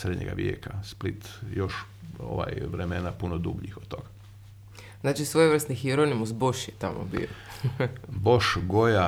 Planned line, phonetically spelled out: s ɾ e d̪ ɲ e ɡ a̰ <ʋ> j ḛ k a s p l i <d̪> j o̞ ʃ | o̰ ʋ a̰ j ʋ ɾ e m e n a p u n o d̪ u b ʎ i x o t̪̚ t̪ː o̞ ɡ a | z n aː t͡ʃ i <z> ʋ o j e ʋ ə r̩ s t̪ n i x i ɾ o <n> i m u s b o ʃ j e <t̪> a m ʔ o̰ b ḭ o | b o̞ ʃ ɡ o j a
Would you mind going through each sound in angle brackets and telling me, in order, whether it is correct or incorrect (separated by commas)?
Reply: correct, incorrect, incorrect, correct, correct